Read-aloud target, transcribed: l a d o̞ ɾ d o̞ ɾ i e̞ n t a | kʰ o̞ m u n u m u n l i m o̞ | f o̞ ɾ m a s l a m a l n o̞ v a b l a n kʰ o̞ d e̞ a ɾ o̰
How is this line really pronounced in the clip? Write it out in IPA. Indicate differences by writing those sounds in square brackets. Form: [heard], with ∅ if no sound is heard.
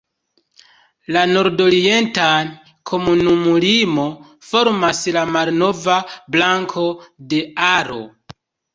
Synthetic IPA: l a [n] o̞ ɾ d o̞ ɾ i e̞ n t a | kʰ o̞ m u n u m u [∅] l i m o̞ | f o̞ ɾ m a s l a m a l n o̞ v a b l a [ŋ] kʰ o̞ d e̞ a ɾ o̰